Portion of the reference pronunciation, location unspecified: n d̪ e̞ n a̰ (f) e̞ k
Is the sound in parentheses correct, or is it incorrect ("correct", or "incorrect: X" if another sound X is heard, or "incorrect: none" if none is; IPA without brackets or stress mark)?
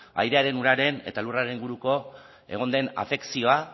correct